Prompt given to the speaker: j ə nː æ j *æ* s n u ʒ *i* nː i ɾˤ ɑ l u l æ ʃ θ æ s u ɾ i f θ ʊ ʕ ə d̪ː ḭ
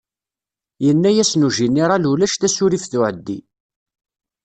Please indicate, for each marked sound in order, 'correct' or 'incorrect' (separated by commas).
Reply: correct, correct